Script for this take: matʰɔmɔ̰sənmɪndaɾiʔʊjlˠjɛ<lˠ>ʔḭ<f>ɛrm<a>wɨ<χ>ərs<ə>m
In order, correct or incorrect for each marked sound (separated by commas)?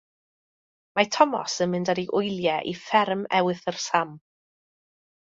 incorrect, correct, incorrect, incorrect, incorrect